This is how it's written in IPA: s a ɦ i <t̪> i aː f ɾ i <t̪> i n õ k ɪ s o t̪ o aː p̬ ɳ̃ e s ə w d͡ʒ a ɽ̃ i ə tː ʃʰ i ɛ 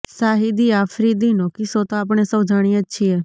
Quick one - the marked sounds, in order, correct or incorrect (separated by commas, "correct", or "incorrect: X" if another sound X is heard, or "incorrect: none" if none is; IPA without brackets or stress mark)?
incorrect: d̪, incorrect: d̪